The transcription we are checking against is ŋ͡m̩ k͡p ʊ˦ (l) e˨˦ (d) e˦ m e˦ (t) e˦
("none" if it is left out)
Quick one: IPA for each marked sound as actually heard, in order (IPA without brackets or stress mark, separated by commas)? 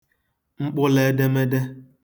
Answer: l, d, d